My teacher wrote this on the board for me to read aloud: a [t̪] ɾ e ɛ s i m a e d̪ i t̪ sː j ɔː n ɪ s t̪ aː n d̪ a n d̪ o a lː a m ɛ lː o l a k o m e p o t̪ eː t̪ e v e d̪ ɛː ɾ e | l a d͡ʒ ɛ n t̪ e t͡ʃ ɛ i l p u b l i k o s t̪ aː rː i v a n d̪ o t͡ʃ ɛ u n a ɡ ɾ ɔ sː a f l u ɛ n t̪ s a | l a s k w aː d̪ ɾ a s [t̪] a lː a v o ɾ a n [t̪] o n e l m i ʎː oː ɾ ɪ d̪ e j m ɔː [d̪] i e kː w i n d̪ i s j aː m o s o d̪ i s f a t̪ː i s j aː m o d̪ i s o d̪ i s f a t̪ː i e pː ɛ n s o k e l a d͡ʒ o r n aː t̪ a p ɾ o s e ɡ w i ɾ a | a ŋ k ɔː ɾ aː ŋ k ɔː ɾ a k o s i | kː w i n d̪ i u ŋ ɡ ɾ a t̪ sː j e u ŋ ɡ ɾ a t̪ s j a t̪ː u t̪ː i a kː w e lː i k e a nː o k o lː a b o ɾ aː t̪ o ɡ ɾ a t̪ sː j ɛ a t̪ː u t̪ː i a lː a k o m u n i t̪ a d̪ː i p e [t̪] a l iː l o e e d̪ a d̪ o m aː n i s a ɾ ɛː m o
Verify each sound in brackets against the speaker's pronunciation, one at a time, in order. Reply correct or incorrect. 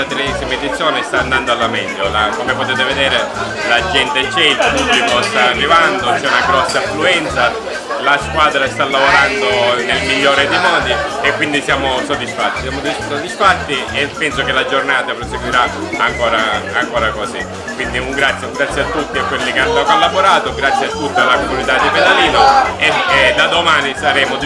correct, correct, incorrect: d̪, correct, incorrect: d̪

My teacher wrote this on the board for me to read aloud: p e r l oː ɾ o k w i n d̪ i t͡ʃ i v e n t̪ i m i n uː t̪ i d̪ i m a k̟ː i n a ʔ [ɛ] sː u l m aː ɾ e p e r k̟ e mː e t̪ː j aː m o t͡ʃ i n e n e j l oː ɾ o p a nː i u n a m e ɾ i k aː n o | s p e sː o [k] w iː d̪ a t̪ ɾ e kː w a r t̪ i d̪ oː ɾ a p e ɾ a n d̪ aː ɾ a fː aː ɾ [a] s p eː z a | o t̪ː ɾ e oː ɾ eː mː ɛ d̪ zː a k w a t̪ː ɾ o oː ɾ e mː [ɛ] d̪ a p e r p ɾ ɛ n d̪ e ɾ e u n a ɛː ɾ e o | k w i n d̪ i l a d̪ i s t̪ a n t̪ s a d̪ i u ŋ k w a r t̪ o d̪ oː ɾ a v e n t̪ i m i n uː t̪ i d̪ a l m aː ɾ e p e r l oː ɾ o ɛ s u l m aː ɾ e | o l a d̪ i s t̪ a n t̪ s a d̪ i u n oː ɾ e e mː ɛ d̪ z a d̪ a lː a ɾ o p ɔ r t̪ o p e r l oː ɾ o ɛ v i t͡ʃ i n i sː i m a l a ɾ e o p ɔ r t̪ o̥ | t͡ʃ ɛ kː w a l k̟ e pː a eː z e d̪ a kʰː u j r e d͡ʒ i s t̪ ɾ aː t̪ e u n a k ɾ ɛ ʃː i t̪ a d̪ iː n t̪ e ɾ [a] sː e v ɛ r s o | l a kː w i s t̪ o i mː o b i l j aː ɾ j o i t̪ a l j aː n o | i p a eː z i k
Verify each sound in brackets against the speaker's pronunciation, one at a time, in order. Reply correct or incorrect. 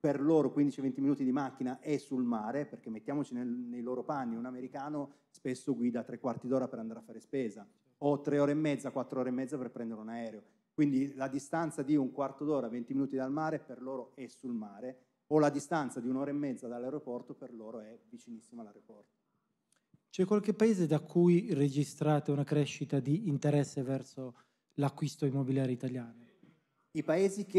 correct, incorrect: ɡ, incorrect: e, correct, incorrect: ɛ

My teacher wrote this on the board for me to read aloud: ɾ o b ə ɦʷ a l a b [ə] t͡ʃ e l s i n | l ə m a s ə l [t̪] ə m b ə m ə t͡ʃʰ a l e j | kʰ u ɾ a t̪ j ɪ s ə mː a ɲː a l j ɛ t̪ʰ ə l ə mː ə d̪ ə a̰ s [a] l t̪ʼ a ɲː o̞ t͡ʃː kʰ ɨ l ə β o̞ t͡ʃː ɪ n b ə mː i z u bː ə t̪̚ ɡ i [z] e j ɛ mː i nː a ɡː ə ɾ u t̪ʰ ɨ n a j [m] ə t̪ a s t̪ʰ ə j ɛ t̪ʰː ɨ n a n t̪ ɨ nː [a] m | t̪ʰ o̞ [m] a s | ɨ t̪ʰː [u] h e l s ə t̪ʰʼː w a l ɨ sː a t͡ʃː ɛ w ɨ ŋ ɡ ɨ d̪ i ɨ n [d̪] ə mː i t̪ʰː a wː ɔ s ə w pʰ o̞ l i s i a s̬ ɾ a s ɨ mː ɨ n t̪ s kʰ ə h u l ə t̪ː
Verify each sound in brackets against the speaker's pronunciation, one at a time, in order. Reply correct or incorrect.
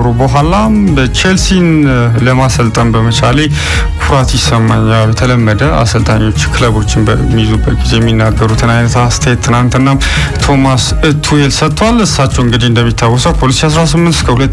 correct, incorrect: t̪ʼ, incorrect: ə, correct, incorrect: n, correct, correct, correct, correct

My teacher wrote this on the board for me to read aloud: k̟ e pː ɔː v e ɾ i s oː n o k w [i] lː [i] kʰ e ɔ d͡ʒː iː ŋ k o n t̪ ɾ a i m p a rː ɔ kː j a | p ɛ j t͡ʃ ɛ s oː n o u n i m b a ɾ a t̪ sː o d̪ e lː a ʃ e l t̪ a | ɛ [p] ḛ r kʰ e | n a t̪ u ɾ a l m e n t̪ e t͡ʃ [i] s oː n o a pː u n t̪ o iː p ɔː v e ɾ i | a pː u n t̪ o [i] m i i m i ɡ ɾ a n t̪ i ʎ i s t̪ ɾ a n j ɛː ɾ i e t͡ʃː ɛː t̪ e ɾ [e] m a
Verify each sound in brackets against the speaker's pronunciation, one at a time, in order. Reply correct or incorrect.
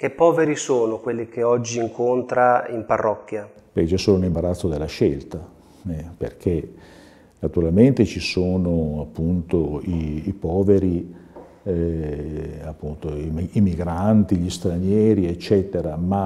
incorrect: e, correct, correct, correct, correct, incorrect: a

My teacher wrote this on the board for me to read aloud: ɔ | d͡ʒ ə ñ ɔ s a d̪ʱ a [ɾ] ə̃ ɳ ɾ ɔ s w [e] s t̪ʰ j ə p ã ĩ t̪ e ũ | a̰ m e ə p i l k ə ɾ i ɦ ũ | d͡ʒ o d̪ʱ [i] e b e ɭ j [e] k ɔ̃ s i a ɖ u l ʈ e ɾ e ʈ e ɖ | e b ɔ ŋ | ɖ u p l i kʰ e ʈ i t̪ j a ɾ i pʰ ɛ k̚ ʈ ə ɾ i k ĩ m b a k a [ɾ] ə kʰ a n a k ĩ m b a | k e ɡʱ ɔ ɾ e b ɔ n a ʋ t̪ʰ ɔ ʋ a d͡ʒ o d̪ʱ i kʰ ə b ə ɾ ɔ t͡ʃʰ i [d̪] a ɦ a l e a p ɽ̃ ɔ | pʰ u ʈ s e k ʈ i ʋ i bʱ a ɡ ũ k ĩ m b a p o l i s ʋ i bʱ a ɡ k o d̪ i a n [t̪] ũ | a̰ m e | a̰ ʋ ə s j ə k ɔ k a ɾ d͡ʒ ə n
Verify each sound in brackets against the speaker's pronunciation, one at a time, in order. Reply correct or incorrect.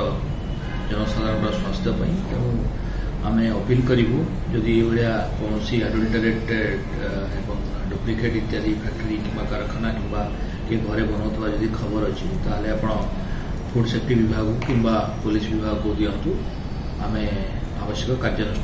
correct, incorrect: a, correct, incorrect: a, correct, incorrect: t̪, correct

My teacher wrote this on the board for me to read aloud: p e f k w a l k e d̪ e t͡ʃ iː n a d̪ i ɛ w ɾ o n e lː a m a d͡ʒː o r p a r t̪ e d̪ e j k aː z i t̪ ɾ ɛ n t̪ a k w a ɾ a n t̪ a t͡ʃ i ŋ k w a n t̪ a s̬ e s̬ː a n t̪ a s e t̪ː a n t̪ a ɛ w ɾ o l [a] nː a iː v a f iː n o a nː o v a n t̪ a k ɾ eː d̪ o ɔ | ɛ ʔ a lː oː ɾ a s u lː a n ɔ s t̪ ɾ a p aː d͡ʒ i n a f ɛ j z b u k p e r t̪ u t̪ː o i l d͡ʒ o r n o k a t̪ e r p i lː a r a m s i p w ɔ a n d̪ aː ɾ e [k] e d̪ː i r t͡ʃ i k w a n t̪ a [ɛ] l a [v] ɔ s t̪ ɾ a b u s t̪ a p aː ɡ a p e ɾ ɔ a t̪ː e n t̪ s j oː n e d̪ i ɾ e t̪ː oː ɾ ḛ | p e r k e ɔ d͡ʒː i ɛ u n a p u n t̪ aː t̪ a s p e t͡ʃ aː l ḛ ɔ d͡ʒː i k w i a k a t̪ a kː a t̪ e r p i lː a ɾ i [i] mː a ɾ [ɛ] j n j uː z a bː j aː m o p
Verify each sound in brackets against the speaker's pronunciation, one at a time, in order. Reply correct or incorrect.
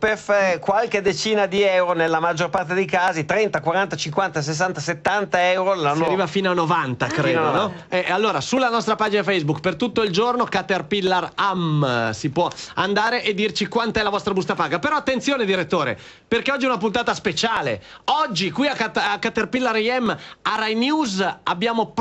correct, incorrect: ʔ, correct, correct, incorrect: ɛ, incorrect: a

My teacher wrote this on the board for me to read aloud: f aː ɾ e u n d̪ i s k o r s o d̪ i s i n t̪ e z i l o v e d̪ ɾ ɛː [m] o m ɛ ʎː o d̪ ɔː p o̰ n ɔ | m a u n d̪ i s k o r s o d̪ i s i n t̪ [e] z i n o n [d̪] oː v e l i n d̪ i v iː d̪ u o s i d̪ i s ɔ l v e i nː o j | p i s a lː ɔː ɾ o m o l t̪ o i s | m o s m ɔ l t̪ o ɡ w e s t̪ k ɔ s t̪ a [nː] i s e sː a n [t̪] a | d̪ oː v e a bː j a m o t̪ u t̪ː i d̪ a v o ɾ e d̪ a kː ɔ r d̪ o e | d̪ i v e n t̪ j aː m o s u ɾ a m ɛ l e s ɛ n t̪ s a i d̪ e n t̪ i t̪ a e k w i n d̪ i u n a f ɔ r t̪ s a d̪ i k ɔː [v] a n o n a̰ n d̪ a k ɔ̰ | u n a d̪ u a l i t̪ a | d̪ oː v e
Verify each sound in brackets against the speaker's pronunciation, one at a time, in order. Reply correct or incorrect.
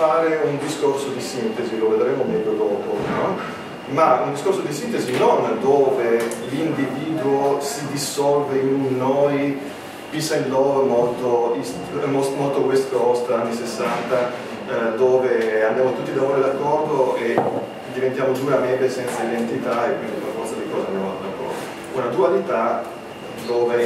correct, correct, correct, correct, correct, incorrect: z

